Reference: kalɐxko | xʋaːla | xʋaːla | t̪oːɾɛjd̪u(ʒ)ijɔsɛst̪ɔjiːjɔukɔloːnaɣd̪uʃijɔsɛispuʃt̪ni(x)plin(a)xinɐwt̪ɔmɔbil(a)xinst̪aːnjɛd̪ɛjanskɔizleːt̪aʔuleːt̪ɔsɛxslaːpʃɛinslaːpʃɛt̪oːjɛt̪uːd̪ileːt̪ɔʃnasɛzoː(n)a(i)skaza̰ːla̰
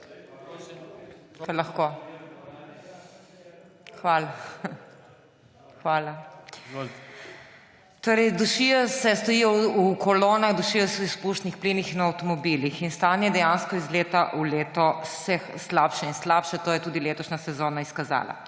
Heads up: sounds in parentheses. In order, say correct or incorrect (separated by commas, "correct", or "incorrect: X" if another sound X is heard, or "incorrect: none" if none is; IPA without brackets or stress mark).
incorrect: ʃ, correct, incorrect: i, incorrect: i, correct, correct